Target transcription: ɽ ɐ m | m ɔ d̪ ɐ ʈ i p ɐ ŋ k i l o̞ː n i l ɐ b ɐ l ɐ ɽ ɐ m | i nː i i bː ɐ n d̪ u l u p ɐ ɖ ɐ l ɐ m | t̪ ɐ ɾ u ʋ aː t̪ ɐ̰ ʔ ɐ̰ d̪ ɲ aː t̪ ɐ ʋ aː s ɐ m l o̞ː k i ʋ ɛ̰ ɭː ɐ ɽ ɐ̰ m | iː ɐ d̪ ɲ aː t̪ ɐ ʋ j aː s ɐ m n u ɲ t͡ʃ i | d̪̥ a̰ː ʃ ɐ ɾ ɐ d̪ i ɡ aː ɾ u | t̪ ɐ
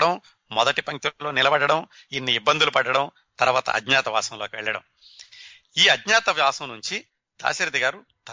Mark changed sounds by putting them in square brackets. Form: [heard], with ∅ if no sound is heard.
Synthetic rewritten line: ɽ ɐ m | m ɔ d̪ ɐ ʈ i p ɐ ŋ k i l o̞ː n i l ɐ b ɐ [ɽ] ɐ ɽ ɐ m | i nː i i bː ɐ n d̪ u l u p ɐ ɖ ɐ [ɽ] ɐ m | t̪ ɐ ɾ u ʋ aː t̪ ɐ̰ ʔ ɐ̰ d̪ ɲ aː t̪ ɐ ʋ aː s ɐ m l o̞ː k i ʋ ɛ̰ ɭː ɐ ɽ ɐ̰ m | iː ɐ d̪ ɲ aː t̪ ɐ ʋ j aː s ɐ m n u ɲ t͡ʃ i | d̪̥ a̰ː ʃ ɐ ɾ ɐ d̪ i ɡ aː ɾ u | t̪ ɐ